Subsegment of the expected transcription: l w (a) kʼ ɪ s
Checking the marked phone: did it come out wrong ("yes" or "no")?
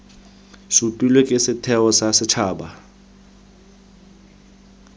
yes